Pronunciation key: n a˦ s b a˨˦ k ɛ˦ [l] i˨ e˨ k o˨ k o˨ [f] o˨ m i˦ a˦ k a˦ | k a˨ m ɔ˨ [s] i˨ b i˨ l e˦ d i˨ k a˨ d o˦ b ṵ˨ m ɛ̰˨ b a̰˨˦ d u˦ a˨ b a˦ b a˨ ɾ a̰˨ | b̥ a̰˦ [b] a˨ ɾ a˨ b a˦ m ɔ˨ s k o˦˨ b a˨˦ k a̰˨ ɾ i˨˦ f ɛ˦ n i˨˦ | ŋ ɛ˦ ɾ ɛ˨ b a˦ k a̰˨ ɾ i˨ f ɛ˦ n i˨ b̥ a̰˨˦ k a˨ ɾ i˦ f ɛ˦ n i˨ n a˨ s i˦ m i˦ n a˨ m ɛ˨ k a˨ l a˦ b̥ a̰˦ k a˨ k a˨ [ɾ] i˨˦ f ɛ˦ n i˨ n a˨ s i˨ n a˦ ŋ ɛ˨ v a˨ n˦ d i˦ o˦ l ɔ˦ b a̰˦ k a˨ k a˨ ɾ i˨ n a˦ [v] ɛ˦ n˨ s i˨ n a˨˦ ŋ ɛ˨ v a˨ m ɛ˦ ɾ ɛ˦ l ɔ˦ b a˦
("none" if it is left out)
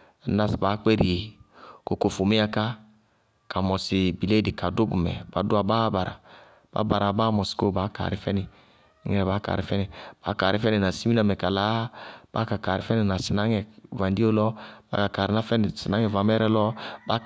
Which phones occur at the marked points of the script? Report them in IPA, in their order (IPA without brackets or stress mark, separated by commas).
ɾ, f, s, b, ɾ, f